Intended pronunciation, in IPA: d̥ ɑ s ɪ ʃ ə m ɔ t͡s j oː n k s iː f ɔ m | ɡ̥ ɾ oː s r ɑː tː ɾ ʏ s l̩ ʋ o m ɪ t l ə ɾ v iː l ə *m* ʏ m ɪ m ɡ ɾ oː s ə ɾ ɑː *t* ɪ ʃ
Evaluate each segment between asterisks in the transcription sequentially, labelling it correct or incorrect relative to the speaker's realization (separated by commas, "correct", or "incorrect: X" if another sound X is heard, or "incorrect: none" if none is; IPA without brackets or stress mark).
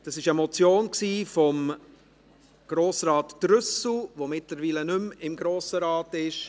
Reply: incorrect: n, correct